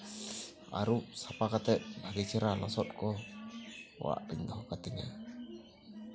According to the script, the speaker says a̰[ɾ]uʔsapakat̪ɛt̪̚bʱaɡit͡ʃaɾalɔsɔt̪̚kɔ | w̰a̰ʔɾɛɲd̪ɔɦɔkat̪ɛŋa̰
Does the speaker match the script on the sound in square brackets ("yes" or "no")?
yes